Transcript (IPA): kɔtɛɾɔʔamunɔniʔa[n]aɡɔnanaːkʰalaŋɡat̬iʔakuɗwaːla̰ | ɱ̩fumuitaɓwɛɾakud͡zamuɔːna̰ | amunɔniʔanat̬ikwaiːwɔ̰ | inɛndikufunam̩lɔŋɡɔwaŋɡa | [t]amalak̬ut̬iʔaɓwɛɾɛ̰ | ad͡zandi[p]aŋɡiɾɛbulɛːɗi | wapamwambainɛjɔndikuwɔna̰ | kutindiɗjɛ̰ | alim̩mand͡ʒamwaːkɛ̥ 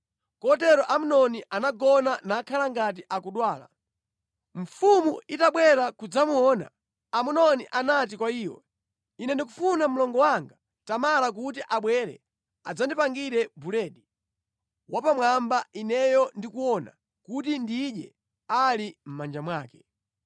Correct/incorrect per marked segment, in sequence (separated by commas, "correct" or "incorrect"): correct, correct, correct